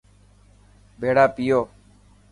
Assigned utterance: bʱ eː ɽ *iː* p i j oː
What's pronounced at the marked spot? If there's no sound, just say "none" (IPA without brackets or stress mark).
aː